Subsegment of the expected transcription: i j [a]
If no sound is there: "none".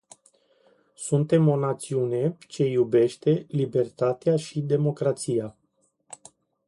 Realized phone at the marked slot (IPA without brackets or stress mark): a